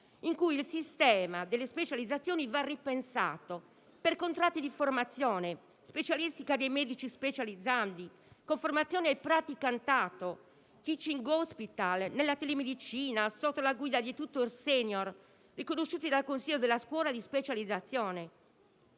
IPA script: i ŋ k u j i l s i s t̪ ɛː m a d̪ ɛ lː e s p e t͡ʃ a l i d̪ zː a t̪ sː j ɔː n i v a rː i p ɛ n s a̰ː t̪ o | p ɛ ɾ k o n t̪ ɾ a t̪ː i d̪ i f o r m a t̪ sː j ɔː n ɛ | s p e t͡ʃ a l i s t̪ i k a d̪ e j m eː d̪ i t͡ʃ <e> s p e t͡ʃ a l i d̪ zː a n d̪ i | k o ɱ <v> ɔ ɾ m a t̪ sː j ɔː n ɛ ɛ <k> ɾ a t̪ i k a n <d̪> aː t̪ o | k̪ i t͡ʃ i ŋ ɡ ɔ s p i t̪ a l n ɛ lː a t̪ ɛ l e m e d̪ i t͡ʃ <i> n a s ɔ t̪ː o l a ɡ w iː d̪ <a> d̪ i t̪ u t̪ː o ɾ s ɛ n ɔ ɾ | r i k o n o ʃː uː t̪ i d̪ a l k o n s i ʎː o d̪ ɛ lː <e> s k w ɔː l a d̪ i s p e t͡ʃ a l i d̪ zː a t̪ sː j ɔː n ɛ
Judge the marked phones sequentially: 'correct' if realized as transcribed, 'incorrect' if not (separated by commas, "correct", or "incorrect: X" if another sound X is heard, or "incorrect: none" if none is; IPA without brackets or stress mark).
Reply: incorrect: i, incorrect: f, incorrect: p, incorrect: t̪, incorrect: iː, correct, incorrect: a